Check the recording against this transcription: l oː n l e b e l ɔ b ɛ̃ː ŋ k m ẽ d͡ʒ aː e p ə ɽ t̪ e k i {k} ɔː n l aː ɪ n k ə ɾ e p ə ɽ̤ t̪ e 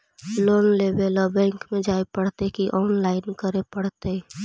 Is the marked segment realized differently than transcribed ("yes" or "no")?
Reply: yes